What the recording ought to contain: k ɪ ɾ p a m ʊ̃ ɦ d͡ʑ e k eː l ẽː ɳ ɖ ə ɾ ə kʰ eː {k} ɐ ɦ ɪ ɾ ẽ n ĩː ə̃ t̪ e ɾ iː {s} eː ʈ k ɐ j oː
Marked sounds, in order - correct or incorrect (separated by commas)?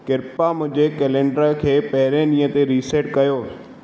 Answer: incorrect, correct